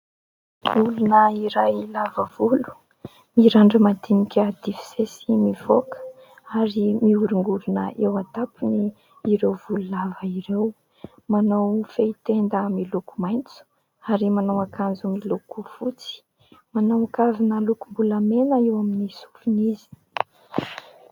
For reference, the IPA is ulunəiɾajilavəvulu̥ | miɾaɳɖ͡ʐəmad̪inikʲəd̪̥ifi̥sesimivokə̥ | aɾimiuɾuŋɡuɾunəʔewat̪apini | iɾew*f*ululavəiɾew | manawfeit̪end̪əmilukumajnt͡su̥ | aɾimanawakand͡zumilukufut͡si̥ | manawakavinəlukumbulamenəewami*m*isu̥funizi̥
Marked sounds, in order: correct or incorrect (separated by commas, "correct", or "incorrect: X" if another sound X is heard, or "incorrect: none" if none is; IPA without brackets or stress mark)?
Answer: incorrect: v, incorrect: n